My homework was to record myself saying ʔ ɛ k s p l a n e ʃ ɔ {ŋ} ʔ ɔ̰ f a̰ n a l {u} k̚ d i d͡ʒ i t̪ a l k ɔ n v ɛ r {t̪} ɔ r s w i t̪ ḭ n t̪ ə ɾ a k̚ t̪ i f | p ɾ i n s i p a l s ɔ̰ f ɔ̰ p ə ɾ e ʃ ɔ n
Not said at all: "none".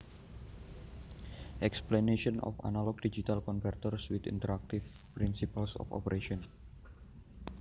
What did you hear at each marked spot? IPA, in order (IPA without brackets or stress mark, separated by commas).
n, ɔ, t̪